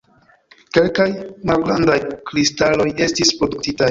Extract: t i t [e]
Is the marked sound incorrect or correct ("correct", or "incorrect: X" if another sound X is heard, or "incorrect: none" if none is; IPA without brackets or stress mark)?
incorrect: a